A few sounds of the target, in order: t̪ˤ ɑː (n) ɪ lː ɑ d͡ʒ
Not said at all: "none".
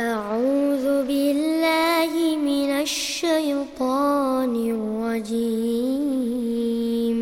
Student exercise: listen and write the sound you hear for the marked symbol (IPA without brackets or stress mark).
n